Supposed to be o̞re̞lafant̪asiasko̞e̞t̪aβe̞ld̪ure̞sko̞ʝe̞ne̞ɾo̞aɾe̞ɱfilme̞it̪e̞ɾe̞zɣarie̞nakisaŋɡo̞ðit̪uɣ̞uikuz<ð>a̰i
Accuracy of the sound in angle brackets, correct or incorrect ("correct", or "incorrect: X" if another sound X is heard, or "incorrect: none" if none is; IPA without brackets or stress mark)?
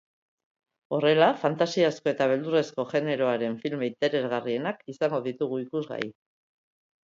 incorrect: ɣ